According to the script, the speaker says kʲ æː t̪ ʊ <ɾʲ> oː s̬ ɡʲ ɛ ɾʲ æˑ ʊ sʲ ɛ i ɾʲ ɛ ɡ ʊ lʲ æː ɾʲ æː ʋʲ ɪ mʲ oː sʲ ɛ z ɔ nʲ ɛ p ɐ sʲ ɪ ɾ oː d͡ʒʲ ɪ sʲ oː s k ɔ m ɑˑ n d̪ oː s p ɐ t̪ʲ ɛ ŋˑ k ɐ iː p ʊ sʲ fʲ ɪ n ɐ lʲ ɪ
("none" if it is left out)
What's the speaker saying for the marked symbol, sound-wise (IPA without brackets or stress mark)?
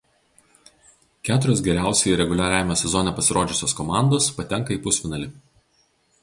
ɾʲ